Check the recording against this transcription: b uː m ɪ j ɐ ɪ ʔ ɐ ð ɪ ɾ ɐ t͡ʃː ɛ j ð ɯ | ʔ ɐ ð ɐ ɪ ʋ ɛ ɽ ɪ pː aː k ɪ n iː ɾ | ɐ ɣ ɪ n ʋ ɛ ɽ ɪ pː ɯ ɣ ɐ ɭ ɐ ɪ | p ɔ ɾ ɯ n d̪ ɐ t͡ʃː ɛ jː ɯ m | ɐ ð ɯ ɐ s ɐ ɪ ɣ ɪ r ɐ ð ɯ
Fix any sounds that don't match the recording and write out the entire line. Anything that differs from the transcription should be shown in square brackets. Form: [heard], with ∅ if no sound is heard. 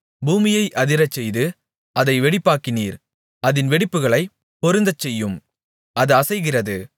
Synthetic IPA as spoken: b uː m ɪ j ɐ ɪ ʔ ɐ ð ɪ ɾ ɐ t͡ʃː ɛ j ð ɯ | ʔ ɐ ð ɐ ɪ ʋ ɛ ɽ ɪ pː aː k ɪ n iː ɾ | ɐ [ð] ɪ n ʋ ɛ ɽ ɪ pː ɯ ɣ ɐ ɭ ɐ ɪ | p ɔ ɾ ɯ n d̪ ɐ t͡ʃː ɛ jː ɯ m | ɐ ð ɯ ɐ s ɐ ɪ ɣ ɪ r ɐ ð ɯ